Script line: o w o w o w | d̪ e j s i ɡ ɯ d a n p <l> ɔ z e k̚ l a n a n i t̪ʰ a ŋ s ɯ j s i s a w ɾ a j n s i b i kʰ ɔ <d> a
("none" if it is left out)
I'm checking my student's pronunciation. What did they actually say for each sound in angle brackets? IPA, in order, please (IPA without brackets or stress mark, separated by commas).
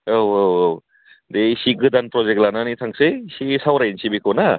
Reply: ɾ, n